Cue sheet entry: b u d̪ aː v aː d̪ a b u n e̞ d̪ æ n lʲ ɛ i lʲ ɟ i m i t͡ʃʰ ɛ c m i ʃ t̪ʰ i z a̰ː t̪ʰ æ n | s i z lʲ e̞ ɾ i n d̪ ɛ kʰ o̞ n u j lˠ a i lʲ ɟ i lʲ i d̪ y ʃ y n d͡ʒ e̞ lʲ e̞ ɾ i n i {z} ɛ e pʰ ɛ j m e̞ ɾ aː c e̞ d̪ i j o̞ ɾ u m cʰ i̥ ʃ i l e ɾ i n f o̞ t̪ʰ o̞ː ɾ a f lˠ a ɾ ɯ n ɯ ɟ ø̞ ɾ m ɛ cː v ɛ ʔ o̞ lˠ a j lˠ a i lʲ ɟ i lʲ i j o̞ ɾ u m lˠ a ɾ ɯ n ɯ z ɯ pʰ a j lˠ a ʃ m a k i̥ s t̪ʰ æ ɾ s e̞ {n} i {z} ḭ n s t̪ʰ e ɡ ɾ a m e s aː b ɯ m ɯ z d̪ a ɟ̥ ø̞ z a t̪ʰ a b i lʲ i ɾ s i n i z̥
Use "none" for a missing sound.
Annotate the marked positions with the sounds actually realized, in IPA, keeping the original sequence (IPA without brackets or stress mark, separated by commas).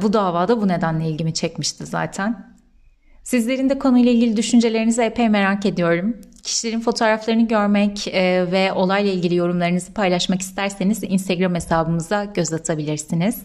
z, n, z